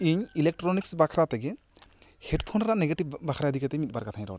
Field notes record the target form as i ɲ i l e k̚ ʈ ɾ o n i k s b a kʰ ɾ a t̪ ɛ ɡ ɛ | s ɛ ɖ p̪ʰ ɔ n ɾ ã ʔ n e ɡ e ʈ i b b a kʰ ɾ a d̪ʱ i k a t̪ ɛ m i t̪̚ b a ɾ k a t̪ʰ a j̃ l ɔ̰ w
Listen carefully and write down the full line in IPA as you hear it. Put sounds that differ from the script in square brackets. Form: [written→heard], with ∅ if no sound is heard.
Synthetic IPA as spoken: i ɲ i l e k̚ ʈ ɾ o n i k s b a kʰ ɾ a t̪ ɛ ɡ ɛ | [s→h] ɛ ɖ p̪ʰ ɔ n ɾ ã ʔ n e ɡ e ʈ i b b a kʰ ɾ a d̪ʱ i k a t̪ ɛ m i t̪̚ b a ɾ k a t̪ʰ a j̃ [l→ɾ] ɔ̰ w